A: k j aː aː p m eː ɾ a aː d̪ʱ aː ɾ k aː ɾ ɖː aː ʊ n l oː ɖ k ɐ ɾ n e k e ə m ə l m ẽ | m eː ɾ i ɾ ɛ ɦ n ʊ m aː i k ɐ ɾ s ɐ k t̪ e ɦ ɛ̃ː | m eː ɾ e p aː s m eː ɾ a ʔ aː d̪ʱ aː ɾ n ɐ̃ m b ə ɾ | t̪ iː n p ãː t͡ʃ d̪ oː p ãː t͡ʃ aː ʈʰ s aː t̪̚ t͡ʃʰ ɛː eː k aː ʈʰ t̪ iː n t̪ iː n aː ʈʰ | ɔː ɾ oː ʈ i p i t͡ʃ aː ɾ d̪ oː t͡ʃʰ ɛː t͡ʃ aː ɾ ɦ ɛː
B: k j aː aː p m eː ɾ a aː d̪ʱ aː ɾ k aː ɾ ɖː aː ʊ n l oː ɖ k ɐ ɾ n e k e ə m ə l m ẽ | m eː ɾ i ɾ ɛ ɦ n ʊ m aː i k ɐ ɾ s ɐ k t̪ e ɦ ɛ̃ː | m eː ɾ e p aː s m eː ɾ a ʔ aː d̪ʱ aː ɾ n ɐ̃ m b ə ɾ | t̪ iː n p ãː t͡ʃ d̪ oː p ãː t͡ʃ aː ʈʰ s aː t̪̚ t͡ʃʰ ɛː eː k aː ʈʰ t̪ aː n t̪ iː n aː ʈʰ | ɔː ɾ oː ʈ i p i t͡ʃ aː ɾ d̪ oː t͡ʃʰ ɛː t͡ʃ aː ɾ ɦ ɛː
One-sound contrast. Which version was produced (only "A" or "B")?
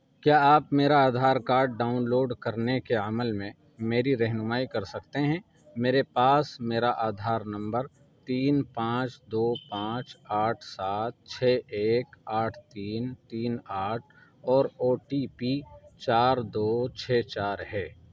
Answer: A